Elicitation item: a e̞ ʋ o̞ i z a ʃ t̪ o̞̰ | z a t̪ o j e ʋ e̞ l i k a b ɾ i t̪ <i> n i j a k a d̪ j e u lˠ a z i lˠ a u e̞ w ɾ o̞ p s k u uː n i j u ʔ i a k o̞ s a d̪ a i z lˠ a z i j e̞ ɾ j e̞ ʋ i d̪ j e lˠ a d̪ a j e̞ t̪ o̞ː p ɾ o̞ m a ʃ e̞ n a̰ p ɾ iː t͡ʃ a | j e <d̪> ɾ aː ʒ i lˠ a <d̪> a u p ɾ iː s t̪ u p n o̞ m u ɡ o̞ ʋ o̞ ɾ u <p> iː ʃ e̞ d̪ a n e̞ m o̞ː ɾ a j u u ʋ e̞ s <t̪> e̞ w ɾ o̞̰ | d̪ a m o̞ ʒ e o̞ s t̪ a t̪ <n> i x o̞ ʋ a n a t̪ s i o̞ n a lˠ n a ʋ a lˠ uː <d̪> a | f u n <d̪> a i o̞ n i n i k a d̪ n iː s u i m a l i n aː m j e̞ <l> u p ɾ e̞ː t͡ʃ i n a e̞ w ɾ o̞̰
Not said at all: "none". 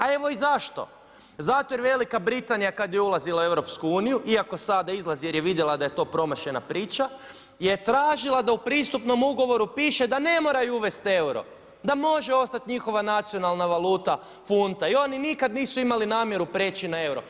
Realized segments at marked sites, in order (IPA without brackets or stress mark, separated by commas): a, t̪, d̪, p, t̪, ɲ, t̪, t̪, ɾ